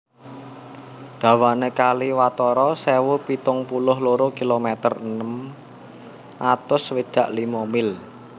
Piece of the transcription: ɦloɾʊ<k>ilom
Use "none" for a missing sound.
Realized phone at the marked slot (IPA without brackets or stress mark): k